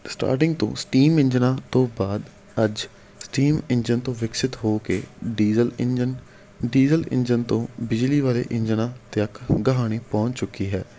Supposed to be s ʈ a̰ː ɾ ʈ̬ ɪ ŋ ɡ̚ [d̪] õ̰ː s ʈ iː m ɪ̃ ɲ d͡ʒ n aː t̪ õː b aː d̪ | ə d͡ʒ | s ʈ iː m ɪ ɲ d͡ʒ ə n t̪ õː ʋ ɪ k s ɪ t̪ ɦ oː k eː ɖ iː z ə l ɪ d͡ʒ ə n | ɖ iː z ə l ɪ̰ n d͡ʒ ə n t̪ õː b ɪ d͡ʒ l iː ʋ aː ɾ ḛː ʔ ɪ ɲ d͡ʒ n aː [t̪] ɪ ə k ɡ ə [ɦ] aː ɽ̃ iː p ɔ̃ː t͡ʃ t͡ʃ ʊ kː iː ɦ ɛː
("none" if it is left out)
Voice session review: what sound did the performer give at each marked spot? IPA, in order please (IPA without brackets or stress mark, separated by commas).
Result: t̪, t̪, ɦ